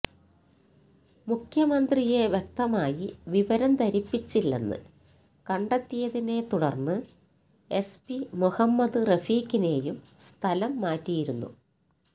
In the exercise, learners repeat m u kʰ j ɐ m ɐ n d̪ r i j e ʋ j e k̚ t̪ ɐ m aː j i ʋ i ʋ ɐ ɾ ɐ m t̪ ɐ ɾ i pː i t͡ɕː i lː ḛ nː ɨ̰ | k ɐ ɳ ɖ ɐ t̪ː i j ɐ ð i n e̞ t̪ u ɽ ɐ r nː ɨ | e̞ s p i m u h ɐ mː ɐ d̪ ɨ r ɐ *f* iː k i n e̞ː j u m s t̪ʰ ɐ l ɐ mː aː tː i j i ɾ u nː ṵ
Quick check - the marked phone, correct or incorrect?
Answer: correct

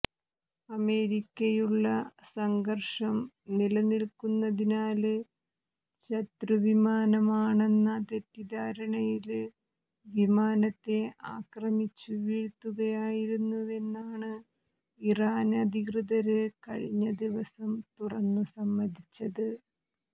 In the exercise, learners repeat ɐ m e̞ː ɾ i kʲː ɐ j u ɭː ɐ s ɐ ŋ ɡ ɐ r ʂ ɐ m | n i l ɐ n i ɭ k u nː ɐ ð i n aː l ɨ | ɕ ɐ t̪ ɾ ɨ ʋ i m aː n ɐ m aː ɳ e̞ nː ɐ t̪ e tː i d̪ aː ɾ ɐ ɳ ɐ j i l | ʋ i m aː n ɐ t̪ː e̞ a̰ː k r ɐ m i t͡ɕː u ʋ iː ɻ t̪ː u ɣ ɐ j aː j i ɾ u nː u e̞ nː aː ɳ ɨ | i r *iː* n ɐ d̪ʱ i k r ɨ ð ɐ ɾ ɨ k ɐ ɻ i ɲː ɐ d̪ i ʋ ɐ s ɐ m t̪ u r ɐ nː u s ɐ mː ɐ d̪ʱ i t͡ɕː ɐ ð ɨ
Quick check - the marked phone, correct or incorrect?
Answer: incorrect: aː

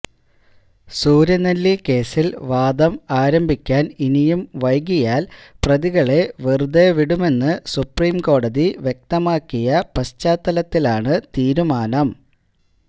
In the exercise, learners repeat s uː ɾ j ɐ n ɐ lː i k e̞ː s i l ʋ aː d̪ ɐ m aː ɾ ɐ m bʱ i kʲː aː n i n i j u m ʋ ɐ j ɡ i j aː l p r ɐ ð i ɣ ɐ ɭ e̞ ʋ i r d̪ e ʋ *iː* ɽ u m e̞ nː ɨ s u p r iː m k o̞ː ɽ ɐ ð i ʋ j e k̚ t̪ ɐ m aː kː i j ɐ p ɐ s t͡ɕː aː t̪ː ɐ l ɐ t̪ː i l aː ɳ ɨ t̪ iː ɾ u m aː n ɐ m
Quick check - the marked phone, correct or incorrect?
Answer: incorrect: i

